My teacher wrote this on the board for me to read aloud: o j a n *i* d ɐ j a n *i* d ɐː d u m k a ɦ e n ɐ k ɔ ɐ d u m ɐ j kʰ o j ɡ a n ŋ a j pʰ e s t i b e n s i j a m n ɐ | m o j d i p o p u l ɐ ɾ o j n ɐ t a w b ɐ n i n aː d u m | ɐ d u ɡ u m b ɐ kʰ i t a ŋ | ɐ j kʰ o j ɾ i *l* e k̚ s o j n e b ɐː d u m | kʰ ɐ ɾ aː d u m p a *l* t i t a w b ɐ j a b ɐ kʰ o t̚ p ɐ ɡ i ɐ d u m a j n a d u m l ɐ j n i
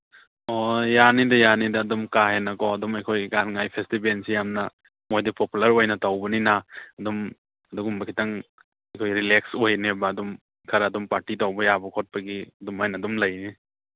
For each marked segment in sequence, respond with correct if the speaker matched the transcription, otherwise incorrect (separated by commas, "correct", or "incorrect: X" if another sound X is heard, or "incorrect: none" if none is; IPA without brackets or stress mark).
correct, correct, correct, incorrect: ɾ